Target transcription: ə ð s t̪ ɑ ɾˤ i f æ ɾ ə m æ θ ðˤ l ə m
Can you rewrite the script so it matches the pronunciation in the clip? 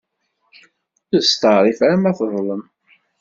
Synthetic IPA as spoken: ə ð s t̪ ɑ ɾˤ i f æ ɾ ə m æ θ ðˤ l ə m